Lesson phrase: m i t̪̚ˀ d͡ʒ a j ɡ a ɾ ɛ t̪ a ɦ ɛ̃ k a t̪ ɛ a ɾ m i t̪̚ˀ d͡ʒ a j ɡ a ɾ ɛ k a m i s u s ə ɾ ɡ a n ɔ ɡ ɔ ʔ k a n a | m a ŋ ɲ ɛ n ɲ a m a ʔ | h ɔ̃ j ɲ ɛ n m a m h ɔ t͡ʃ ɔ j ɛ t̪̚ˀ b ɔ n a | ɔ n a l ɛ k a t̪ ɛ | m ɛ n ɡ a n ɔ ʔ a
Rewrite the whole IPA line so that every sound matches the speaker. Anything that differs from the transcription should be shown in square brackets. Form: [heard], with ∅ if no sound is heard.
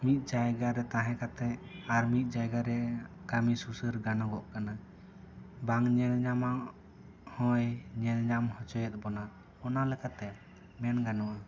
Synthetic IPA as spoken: m i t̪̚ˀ d͡ʒ a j ɡ a ɾ ɛ t̪ a ɦ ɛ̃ k a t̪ ɛ a ɾ m i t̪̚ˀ d͡ʒ a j ɡ a ɾ ɛ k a m i s u s ə ɾ ɡ a n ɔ ɡ ɔ ʔ k a n a | [b] a ŋ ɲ ɛ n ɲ a m a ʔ | h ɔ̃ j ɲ ɛ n [ɲ] a m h ɔ t͡ʃ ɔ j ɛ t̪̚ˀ b ɔ n a | ɔ n a l ɛ k a t̪ ɛ | m ɛ n ɡ a n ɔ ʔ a